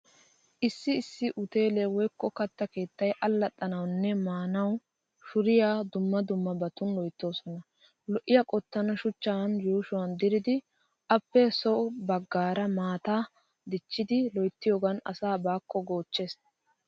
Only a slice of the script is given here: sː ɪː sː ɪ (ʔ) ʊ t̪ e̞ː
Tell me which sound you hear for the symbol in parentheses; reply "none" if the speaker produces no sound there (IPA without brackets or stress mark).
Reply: ʔ